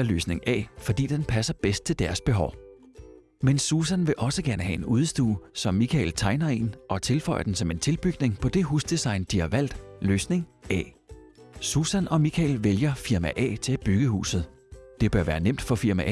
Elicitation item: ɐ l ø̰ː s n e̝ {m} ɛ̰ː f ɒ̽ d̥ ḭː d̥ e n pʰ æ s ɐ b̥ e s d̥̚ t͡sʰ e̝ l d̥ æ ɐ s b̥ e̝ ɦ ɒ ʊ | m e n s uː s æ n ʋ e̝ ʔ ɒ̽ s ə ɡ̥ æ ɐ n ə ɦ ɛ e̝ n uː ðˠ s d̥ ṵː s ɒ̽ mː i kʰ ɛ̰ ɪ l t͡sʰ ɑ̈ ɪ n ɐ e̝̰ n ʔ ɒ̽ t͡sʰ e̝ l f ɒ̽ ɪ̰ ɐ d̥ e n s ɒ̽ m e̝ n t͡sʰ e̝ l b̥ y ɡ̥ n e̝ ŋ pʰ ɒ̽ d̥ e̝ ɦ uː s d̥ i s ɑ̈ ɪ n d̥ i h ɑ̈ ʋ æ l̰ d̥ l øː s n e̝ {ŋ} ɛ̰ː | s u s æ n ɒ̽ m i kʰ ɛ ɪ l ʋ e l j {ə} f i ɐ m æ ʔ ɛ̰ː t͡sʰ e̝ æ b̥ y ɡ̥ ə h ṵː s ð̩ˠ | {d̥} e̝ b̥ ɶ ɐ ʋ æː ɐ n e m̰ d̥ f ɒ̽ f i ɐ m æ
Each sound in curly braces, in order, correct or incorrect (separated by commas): incorrect, correct, incorrect, correct